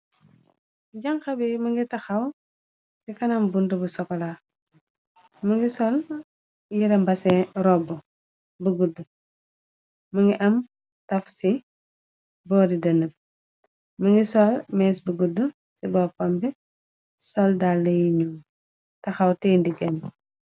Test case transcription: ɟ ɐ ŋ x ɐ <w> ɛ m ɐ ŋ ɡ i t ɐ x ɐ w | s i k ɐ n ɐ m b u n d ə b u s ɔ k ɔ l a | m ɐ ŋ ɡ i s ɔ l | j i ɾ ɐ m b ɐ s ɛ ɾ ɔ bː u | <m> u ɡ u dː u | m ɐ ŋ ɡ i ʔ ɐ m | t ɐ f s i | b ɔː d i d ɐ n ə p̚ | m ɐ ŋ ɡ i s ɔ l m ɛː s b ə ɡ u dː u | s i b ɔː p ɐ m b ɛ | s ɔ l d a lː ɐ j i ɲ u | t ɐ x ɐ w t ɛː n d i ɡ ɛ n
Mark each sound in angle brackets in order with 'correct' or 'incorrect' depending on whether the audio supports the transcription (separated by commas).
incorrect, incorrect